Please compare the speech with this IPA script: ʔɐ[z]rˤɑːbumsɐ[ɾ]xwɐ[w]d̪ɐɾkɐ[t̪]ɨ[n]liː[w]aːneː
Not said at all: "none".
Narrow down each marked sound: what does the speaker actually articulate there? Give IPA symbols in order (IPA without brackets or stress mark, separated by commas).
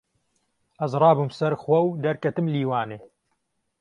z, ɾ, w, t̪, m, w